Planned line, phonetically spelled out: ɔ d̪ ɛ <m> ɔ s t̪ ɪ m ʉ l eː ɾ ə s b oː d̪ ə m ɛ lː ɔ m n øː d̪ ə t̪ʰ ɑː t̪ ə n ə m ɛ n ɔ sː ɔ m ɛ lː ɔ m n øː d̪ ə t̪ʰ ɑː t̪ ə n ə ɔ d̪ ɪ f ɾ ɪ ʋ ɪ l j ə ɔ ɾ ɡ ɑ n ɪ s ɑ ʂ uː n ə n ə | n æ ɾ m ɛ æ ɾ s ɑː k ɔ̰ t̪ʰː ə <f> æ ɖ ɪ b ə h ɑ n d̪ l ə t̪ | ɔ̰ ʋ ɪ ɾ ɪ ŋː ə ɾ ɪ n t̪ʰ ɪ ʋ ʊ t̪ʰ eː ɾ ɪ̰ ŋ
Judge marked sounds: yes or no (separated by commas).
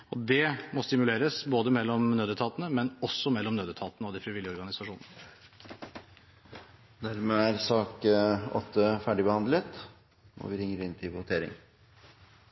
yes, yes